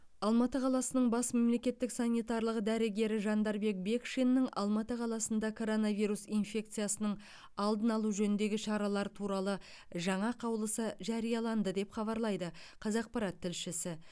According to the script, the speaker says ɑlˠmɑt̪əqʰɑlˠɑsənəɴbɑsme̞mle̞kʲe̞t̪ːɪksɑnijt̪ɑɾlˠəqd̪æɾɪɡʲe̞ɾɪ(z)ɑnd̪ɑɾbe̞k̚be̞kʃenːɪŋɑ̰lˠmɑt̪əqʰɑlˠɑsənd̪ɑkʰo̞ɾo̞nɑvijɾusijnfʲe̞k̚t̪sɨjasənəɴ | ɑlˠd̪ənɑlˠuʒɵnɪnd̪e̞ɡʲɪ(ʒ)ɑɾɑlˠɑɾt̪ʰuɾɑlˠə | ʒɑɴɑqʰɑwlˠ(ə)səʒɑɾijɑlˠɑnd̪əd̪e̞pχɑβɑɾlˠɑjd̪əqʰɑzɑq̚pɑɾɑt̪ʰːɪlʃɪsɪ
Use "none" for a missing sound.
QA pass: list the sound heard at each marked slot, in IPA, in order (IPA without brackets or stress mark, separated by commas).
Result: ʒ, ʃ, ə